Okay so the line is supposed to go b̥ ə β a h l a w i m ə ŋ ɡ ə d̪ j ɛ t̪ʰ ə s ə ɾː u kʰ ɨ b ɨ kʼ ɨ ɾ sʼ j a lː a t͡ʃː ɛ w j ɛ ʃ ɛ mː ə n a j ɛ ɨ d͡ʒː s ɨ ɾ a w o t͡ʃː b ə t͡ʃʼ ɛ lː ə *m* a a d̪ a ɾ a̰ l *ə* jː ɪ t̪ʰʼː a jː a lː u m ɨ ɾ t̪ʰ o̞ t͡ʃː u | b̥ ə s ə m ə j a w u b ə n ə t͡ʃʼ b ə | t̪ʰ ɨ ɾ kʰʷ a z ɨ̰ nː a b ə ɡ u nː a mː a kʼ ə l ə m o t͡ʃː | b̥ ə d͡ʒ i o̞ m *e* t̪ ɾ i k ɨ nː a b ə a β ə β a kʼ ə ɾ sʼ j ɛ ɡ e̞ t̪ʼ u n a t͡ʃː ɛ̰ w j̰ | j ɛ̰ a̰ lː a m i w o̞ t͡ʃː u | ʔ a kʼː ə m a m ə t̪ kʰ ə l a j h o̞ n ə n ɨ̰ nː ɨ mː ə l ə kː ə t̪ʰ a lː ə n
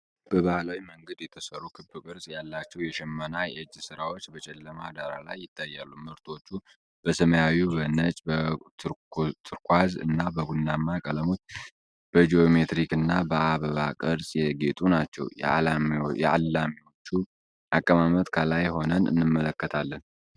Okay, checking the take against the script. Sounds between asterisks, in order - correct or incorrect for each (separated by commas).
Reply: correct, incorrect, correct